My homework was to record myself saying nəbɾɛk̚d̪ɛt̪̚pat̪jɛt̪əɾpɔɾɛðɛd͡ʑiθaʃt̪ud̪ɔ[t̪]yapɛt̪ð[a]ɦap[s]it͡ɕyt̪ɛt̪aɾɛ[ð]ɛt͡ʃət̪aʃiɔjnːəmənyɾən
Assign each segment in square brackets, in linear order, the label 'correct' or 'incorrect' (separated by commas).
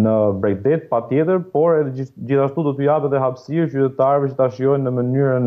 correct, incorrect, correct, incorrect